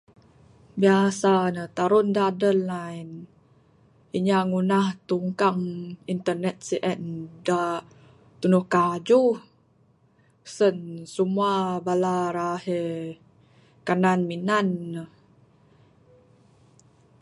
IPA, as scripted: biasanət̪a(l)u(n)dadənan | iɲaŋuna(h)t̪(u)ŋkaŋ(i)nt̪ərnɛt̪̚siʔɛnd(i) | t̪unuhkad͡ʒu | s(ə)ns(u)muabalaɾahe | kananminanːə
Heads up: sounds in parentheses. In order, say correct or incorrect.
incorrect: ɾ, correct, correct, correct, correct, incorrect: a, correct, correct

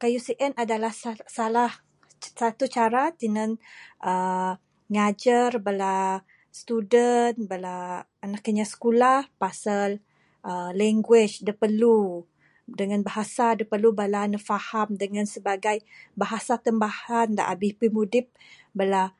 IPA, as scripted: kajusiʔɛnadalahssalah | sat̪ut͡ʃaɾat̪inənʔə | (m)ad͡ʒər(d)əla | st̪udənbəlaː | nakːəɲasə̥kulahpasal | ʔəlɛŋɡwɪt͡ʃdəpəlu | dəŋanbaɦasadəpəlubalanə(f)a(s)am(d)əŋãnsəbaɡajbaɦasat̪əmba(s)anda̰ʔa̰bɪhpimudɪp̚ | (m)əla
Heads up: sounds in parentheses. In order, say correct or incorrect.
incorrect: ŋ, incorrect: b, correct, incorrect: h, correct, incorrect: h, incorrect: b

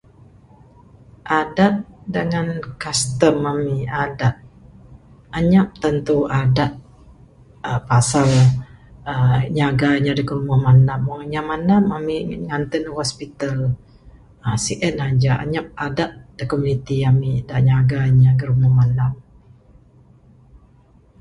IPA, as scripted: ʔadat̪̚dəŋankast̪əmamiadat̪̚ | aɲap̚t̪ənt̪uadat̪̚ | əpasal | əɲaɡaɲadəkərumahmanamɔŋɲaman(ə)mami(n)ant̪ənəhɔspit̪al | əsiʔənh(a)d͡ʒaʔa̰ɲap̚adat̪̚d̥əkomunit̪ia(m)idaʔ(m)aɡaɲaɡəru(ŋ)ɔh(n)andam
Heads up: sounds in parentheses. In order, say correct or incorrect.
incorrect: a, incorrect: ŋ, correct, correct, incorrect: ɲ, incorrect: m, incorrect: m

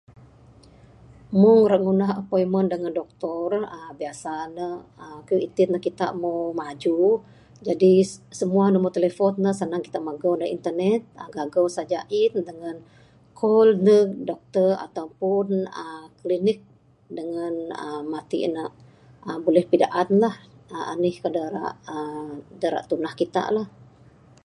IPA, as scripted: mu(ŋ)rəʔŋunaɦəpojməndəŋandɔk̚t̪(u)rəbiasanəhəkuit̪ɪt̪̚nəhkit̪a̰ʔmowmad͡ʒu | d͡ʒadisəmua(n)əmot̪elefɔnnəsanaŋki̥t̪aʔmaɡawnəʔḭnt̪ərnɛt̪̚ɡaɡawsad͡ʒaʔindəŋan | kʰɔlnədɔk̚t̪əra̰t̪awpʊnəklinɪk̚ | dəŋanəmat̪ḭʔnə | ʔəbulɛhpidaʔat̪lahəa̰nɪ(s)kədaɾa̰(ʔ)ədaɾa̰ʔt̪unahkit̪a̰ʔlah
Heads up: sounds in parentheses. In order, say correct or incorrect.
correct, incorrect: ɔ, correct, incorrect: h, correct

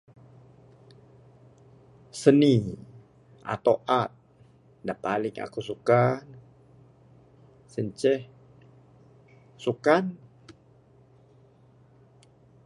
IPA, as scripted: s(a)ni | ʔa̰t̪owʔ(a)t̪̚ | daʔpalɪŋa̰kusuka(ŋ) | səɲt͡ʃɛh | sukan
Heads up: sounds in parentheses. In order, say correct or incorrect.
incorrect: ə, correct, incorrect: n

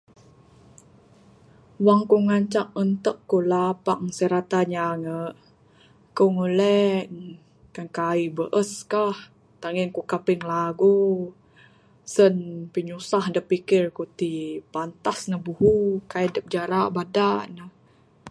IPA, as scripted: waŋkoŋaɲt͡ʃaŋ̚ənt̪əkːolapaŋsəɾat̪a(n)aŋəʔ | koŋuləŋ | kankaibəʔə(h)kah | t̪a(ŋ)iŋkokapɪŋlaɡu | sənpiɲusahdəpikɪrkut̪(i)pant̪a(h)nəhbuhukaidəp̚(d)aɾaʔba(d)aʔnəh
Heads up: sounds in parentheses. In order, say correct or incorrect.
incorrect: ɲ, incorrect: s, correct, correct, incorrect: s, incorrect: d͡ʒ, correct

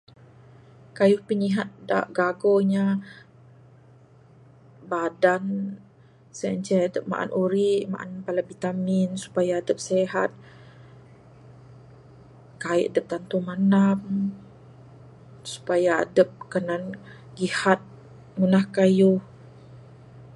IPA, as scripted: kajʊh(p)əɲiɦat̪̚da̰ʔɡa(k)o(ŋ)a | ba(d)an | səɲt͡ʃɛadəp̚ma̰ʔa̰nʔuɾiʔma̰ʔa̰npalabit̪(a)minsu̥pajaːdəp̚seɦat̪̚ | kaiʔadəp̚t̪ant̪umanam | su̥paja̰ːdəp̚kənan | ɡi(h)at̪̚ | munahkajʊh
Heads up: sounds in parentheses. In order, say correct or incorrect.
correct, incorrect: ɡ, incorrect: ɲ, correct, correct, correct

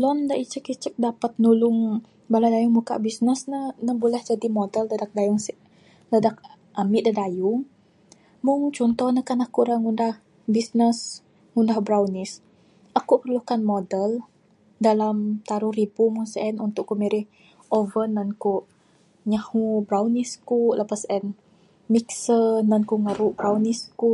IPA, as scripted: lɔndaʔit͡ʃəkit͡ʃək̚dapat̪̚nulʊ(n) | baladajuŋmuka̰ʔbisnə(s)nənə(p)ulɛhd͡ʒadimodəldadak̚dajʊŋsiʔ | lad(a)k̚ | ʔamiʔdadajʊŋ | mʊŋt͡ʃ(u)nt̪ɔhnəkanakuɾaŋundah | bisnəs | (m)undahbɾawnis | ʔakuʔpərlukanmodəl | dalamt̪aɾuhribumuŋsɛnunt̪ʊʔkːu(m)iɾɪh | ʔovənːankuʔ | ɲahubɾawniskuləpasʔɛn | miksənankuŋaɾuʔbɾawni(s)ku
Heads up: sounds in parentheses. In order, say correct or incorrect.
incorrect: ŋ, correct, incorrect: b, correct, incorrect: ɔ, incorrect: ŋ, correct, correct

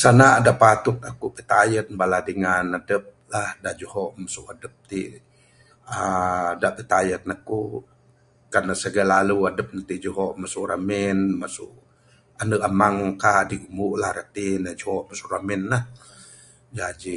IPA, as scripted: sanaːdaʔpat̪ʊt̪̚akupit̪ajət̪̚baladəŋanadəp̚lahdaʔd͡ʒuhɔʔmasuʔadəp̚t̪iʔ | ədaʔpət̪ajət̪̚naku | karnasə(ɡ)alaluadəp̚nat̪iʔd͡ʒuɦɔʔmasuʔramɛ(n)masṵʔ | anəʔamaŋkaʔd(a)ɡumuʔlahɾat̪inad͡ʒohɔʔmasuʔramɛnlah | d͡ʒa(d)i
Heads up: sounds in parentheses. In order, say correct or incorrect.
correct, correct, incorrect: i, incorrect: d͡ʒ

